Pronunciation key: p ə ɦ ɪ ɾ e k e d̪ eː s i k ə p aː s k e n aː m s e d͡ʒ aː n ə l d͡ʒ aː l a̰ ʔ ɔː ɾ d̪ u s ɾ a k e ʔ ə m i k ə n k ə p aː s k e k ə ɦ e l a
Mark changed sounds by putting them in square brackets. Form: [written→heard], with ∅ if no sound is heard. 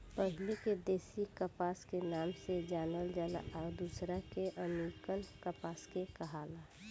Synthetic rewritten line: p ə ɦ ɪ [ɾ→l] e k e d̪ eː s i k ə p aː s k e n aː m s e d͡ʒ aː n ə l d͡ʒ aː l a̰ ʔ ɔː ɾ d̪ u s ɾ a k e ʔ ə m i k ə n k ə p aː s k e k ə ɦ [e→a] l a